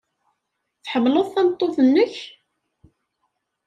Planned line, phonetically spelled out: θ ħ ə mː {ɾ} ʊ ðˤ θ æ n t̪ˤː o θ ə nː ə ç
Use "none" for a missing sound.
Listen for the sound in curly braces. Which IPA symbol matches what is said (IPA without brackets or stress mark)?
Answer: l